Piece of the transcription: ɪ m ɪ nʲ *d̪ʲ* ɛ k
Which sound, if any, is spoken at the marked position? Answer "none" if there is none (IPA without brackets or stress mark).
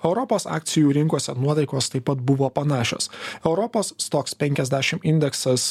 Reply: d̪ʲ